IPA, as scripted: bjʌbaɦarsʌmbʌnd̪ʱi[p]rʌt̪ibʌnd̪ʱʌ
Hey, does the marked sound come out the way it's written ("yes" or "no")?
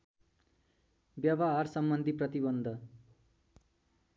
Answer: yes